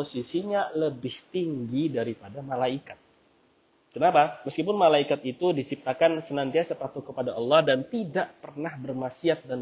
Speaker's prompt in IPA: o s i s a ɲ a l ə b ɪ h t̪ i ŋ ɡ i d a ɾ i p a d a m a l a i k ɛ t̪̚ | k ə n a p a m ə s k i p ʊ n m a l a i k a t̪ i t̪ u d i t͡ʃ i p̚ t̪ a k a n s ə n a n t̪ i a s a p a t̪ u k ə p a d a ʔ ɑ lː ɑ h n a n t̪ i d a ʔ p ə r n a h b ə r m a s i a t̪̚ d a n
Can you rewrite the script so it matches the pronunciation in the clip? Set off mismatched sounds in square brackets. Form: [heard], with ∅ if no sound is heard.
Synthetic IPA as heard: o s i s [i] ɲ a l ə b ɪ h t̪ i ŋ ɡ i d a ɾ i p a d a m a l a i k [a] t̪̚ | k ə n a p a m ə s k i p ʊ n m a l a i k a t̪ i t̪ u d i t͡ʃ i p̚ t̪ a k a n s ə n a n t̪ i a s a p a t̪ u k ə p a d a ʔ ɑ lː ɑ h [d] a n t̪ i d a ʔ p ə r n a h b ə r m a s i a t̪̚ d a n